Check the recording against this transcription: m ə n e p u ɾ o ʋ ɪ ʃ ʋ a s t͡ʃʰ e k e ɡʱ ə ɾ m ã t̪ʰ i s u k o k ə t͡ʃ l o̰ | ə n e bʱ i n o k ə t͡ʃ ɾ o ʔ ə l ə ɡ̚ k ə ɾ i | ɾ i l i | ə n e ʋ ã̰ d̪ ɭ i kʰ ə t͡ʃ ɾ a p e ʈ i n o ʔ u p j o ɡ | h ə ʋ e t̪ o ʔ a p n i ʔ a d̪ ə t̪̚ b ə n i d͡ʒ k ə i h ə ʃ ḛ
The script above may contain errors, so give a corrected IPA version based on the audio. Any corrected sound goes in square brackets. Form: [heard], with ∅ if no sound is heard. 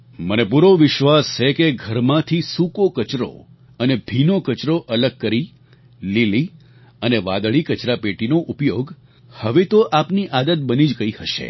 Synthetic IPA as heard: m ə n e p u ɾ o ʋ ɪ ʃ ʋ a s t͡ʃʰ e k e ɡʱ ə ɾ m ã t̪ʰ i s u k o k ə t͡ʃ [ɾ] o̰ | ə n e bʱ i n o k ə t͡ʃ ɾ o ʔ ə l ə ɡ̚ k ə ɾ i | [l] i l i | ə n e ʋ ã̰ d̪ ɭ i [k] ə t͡ʃ ɾ a p e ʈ i n o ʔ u p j o ɡ | h ə ʋ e t̪ o ʔ a p n i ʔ a d̪ ə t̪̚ b ə n i d͡ʒ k ə i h ə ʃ ḛ